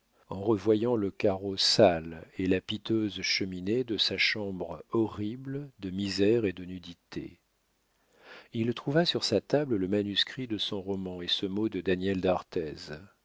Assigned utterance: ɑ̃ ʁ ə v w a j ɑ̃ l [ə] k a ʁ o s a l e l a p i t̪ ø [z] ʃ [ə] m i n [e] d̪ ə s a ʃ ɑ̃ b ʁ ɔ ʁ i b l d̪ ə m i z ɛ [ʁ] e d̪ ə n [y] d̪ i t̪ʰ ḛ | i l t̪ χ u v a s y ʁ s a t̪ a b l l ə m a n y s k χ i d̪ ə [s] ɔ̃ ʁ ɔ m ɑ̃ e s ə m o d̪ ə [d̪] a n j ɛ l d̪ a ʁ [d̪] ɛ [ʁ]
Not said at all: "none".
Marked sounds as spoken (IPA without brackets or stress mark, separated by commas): ə, z, ə, e, ʁ, y, s, d̪, t̪, z